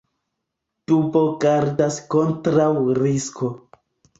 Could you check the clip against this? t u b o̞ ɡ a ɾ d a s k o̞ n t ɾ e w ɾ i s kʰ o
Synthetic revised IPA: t u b o̞ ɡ a ɾ d a s k o̞ n t ɾ a w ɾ i s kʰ o